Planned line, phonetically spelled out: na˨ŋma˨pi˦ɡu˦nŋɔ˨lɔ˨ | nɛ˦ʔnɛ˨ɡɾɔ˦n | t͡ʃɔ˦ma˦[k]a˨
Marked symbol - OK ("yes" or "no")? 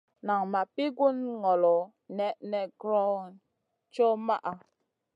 no